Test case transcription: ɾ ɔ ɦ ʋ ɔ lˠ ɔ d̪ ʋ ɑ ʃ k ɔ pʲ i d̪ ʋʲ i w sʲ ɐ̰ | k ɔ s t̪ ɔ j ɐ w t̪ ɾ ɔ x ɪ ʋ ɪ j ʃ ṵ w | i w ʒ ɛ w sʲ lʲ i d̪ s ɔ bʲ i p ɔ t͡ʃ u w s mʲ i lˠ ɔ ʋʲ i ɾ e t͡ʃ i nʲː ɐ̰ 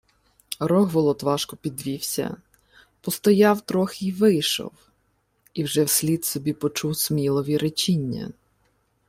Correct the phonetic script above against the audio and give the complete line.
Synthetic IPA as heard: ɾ ɔ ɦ ʋ ɔ lˠ ɔ t̪ ʋ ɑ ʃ k ɔ pʲ i d̪ ʋʲ i w sʲ ɐ̰ | p ɔ s t̪ ɔ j ɑ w t̪ ɾ ɔ x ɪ ʋ ɪ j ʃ ɔ̰ w | i w ʒ ɛ w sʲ lʲ i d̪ s ɔ bʲ i p ɔ t͡ʃ u w s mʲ i lˠ ɔ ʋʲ i ɾ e t͡ʃ i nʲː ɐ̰